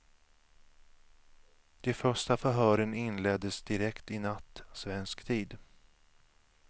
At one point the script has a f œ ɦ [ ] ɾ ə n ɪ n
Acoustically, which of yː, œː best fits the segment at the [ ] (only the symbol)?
œː